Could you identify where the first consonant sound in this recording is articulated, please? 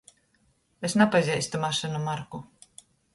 alveolar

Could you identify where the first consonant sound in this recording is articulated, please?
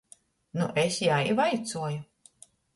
alveolar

